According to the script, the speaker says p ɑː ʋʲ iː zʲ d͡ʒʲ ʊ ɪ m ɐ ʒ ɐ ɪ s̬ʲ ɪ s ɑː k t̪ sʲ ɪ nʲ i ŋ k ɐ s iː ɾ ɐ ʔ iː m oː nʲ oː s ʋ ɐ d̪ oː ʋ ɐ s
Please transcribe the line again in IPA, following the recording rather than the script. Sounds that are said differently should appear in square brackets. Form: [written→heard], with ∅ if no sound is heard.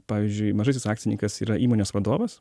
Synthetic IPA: p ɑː ʋʲ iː zʲ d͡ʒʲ ʊ ɪ m ɐ ʒ ɐ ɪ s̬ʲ ɪ s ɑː k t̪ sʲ ɪ nʲ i ŋ k ɐ s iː ɾ ɐ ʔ iː m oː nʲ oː s ʋ ɐ d̪ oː ʋ ɐ s